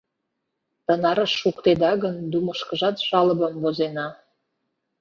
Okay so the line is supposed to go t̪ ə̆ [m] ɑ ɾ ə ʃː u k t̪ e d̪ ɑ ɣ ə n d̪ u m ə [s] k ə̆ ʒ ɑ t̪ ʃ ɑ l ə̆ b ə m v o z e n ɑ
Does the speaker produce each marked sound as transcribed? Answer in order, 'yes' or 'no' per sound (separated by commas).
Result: no, no